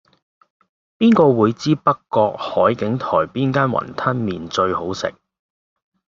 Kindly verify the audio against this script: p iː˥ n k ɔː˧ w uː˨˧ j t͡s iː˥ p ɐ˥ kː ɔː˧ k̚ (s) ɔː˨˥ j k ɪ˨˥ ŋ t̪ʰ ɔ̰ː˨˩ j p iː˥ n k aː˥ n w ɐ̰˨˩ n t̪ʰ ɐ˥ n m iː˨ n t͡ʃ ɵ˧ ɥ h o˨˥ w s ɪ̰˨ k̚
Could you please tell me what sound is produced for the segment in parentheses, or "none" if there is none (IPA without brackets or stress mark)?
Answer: h